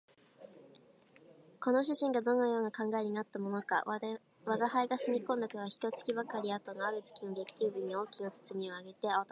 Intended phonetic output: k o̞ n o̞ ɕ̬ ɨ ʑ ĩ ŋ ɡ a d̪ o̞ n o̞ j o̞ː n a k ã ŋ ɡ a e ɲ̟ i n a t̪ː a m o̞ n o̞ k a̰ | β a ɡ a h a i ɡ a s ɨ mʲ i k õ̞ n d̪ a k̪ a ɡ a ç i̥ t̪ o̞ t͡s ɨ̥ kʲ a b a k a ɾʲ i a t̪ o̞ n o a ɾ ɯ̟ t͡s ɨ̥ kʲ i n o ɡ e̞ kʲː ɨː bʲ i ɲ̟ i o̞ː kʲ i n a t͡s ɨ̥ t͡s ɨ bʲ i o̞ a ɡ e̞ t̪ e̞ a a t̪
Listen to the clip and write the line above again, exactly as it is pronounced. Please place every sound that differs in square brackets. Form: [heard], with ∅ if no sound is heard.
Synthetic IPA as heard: k o̞ n o̞ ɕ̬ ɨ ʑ ĩ ŋ ɡ a d̪ o̞ n o̞ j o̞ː n a k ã ŋ ɡ a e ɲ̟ i n a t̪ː a m o̞ n o̞ k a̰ | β a ɡ a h a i ɡ a s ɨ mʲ i k õ̞ n d̪ a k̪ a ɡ a ç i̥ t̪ o̞ t͡s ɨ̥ kʲ [i] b a k a ɾʲ i a t̪ o̞ n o a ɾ ɯ̟ t͡s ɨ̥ kʲ i n o ɡ e̞ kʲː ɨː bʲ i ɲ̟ i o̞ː kʲ i n a t͡s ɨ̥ t͡s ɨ [mʲ] i o̞ a ɡ e̞ t̪ e̞ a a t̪

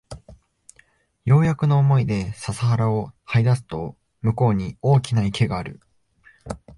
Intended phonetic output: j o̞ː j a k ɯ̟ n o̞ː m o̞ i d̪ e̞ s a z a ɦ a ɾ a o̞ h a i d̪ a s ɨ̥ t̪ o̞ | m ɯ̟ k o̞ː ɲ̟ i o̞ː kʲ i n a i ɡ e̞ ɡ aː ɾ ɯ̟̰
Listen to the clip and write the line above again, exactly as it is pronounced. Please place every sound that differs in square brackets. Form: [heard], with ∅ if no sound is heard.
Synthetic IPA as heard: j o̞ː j a k ɯ̟ n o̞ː m o̞ i d̪ e̞ s a [s] a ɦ a ɾ a o̞ h a i d̪ a s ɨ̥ t̪ o̞ | m ɯ̟ k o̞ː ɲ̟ i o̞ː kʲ i n a i [k] e̞ ɡ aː ɾ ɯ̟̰

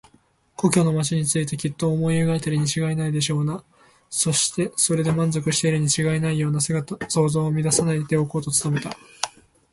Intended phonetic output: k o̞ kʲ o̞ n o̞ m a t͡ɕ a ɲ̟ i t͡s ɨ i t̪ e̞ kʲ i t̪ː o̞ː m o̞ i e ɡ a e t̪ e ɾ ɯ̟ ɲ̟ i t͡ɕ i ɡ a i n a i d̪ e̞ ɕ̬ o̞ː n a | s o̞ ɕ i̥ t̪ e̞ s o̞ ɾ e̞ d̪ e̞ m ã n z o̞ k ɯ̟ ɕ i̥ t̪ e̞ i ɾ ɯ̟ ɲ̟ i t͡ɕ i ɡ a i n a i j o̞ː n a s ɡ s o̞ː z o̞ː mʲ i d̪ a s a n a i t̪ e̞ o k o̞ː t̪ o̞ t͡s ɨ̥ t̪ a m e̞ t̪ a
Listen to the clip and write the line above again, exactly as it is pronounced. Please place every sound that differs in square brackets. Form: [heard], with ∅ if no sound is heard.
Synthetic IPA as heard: k o̞ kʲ o̞ n o̞ m a t͡ɕ [i] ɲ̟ i t͡s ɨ i t̪ e̞ kʲ i t̪ː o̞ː m o̞ i e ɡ a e t̪ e ɾ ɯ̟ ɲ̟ i t͡ɕ i ɡ a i n a i d̪ e̞ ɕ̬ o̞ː n a | s o̞ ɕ i̥ t̪ e̞ s o̞ ɾ e̞ d̪ e̞ m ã n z o̞ k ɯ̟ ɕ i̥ t̪ e̞ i ɾ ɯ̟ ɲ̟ i t͡ɕ i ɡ a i n a i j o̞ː n a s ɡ s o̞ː z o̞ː mʲ i d̪ a s a n a i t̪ e̞ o k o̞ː t̪ o̞ t͡s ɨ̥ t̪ a m e̞ t̪ a

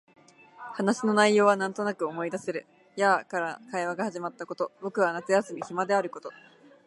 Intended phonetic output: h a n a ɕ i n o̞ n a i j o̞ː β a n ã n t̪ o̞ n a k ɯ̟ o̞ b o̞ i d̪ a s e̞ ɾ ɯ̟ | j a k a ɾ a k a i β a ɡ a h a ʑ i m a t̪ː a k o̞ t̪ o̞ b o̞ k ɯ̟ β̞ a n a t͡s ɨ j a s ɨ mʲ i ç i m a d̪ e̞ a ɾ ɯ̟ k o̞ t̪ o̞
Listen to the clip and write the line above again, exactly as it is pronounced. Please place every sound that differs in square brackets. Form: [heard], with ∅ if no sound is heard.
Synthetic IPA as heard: h a n a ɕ i n o̞ n a i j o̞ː β a n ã n t̪ o̞ n a k ɯ̟ o̞ [m] o̞ i d̪ a s e̞ ɾ ɯ̟ | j a k a ɾ a k a i β a ɡ a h a ʑ i m a t̪ː a k o̞ t̪ o̞ b o̞ k ɯ̟ β̞ a n a t͡s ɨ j a s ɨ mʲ i ç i m a d̪ e̞ a ɾ ɯ̟ k o̞ t̪ o̞

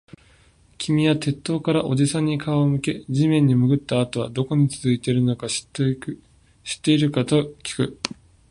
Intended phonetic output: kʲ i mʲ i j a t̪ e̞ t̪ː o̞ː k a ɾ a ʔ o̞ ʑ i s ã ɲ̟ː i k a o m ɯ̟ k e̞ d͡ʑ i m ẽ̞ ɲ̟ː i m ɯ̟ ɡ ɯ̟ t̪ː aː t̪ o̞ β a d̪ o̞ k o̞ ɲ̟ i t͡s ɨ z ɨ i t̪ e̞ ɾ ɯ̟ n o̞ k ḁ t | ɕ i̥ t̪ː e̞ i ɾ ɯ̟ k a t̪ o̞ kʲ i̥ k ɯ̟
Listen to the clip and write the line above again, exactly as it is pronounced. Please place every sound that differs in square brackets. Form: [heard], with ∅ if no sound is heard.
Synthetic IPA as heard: kʲ i mʲ i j a t̪ e̞ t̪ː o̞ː k a ɾ a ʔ o̞ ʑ i s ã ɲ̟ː i k a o m ɯ̟ k e̞ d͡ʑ i m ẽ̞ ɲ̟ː i m ɯ̟ ɡ ɯ̟ t̪ː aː t̪ o̞ β a d̪ o̞ k o̞ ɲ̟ i t͡s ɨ z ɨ i t̪ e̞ ɾ ɯ̟ n o̞ k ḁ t | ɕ i̥ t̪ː e̞ i ɾ ɯ̟ k a t̪ o̞ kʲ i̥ k ɯ̟

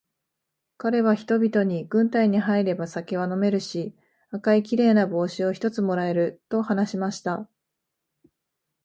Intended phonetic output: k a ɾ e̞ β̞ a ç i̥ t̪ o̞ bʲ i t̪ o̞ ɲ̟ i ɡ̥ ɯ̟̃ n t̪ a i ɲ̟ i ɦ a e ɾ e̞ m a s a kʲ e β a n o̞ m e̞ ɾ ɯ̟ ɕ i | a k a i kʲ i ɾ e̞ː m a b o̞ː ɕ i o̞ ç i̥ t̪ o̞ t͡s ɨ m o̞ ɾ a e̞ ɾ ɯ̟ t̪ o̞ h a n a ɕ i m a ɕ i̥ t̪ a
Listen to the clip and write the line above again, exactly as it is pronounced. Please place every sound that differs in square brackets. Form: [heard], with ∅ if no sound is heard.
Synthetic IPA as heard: k a ɾ e̞ β̞ a ç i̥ t̪ o̞ bʲ i t̪ o̞ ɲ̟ i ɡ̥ ɯ̟̃ n t̪ a i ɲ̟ i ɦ a [i] ɾ e̞ [b] a s a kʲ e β a n o̞ m e̞ ɾ ɯ̟ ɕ i | a k a i kʲ i ɾ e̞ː [n] a b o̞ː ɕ i o̞ ç i̥ t̪ o̞ t͡s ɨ m o̞ ɾ a e̞ ɾ ɯ̟ t̪ o̞ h a n a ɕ i m a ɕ i̥ t̪ a

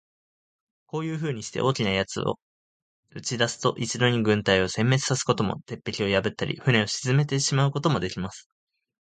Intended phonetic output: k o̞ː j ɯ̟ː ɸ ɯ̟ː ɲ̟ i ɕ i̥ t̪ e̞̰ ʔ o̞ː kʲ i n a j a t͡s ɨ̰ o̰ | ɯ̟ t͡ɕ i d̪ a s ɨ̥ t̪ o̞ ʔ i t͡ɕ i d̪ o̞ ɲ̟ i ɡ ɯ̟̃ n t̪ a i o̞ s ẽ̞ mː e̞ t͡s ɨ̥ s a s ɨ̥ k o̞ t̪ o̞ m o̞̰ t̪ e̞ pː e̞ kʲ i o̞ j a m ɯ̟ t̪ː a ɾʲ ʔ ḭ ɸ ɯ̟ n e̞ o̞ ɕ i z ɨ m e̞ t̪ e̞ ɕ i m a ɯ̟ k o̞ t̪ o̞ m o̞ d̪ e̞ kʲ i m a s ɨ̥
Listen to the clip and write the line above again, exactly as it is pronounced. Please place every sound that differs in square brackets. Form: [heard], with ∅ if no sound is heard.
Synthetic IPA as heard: k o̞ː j ɯ̟ː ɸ ɯ̟ː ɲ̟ i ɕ i̥ t̪ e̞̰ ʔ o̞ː kʲ i n a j a t͡s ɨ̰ o̰ | ɯ̟ t͡ɕ i d̪ a s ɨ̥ t̪ o̞ ʔ i t͡ɕ i d̪ o̞ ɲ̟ i ɡ ɯ̟̃ n t̪ a i o̞ s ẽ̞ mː e̞ t͡s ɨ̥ s a s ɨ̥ k o̞ t̪ o̞ m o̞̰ t̪ e̞ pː e̞ kʲ i o̞ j a [b] ɯ̟ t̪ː a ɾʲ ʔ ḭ ɸ ɯ̟ n e̞ o̞ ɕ i z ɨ m e̞ t̪ e̞ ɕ i m a ɯ̟ k o̞ t̪ o̞ m o̞ d̪ e̞ kʲ i m a s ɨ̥

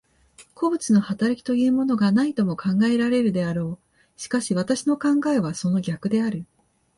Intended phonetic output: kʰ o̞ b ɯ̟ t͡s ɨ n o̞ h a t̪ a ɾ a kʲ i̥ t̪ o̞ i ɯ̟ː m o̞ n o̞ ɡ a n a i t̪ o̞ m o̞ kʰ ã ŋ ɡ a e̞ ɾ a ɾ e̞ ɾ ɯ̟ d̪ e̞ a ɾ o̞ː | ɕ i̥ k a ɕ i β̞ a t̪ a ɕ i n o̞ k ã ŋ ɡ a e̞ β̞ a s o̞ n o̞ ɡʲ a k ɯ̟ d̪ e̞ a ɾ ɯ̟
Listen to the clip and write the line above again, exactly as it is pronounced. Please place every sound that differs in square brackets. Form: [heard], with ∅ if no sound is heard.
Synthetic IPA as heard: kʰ o̞ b ɯ̟ t͡s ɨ n o̞ h a t̪ a ɾ a kʲ i̥ t̪ o̞ [j] ɯ̟ː m o̞ n o̞ ɡ a n a i t̪ o̞ m o̞ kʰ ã ŋ ɡ a e̞ ɾ a ɾ e̞ ɾ ɯ̟ d̪ e̞ a ɾ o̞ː | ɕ i̥ k a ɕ i β̞ a t̪ a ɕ i n o̞ k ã ŋ ɡ a e̞ β̞ a s o̞ n o̞ ɡʲ a k ɯ̟ d̪ e̞ a ɾ ɯ̟

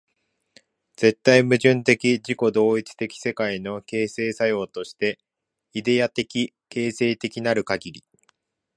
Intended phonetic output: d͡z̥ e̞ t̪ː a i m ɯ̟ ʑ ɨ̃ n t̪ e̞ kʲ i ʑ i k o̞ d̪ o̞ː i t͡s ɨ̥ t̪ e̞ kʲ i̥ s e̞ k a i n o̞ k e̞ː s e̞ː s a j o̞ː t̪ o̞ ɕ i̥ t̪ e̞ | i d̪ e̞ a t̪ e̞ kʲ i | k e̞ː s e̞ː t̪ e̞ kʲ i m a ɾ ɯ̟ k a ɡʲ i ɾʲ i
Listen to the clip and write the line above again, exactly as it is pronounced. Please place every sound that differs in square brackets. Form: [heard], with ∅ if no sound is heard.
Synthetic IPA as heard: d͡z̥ e̞ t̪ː a i m ɯ̟ ʑ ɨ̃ n t̪ e̞ kʲ i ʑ i k o̞ d̪ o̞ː i t͡s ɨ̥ t̪ e̞ kʲ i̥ s e̞ k a i n o̞ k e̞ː s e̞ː s a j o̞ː t̪ o̞ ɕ i̥ t̪ e̞ | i d̪ e̞ a t̪ e̞ kʲ i | k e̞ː s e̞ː t̪ e̞ kʲ i [n] a ɾ ɯ̟ k a ɡʲ i ɾʲ i

